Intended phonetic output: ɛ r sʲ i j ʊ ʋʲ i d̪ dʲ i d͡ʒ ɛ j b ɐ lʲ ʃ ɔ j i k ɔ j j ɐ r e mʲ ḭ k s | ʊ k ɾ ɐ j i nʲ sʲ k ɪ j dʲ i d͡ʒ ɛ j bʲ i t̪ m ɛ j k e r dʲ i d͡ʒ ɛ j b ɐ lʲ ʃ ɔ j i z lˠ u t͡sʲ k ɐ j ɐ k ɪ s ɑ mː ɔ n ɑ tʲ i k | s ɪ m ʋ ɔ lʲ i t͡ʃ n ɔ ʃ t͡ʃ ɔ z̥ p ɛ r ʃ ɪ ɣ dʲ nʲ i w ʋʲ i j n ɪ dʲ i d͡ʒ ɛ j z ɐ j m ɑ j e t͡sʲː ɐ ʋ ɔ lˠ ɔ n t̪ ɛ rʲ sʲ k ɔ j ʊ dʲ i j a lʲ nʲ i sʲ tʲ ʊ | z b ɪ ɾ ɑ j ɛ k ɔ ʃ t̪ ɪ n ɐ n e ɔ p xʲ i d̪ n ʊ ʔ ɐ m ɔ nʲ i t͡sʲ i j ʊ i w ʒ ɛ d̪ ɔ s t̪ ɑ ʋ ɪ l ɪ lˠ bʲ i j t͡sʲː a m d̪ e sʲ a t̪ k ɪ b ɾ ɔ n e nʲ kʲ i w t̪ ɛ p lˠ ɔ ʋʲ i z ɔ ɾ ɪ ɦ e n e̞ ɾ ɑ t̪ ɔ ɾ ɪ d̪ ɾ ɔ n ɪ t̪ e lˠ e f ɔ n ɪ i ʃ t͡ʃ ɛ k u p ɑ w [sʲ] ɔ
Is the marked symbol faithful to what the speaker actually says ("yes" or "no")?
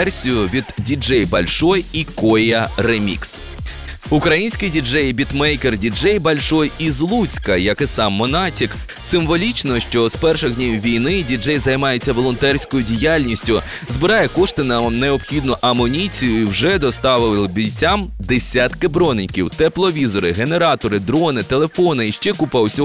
yes